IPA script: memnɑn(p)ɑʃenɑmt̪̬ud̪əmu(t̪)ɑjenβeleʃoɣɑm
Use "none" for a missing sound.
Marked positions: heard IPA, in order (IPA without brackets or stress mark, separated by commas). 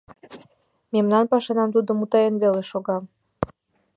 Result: p, t̪